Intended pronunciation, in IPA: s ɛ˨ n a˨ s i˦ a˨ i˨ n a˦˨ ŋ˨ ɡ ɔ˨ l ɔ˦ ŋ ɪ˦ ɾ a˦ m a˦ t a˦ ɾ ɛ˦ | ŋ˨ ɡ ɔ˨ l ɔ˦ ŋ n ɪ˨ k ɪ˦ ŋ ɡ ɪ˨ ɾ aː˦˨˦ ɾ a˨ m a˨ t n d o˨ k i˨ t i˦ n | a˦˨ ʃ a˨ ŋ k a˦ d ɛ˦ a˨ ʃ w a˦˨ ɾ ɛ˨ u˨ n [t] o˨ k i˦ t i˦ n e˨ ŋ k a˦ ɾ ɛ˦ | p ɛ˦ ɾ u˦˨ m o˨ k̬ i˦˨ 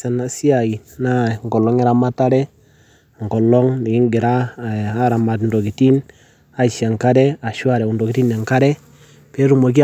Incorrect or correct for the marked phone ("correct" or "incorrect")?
incorrect